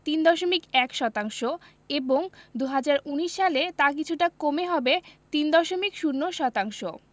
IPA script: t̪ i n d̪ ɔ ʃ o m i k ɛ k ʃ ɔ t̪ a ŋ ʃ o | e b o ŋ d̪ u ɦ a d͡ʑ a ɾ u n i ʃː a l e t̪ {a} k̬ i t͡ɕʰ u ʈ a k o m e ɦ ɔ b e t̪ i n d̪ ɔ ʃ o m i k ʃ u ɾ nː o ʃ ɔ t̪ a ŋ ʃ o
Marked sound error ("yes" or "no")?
no